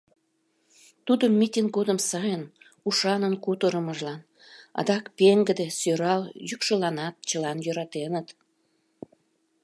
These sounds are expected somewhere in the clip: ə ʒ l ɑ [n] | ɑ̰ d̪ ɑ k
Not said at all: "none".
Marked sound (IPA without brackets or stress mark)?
n